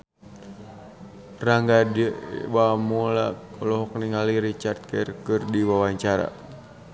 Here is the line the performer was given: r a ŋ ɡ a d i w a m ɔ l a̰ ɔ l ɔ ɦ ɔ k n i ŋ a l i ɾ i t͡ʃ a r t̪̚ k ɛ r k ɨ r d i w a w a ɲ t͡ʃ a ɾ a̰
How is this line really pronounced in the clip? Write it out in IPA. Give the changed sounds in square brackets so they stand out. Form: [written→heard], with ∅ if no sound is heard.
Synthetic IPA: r a ŋ ɡ a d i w a m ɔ l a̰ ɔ l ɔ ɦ ɔ k n i ŋ a l i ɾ i t͡ʃ a r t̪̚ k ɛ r k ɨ r d i w a w a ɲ t͡ʃ a ɾ a̰